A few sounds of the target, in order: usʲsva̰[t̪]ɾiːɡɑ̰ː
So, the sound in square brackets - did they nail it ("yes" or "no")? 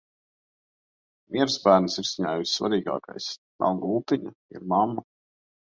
no